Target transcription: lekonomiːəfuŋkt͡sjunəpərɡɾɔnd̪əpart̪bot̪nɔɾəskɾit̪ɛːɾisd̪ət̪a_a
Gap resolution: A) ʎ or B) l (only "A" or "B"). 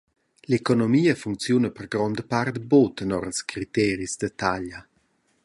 A